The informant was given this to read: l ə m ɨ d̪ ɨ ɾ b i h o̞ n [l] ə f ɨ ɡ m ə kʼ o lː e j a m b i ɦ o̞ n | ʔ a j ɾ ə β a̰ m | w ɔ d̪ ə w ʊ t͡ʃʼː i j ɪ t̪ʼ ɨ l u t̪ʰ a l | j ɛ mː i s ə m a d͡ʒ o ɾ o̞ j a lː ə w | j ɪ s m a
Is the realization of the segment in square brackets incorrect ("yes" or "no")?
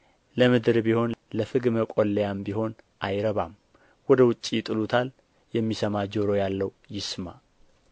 no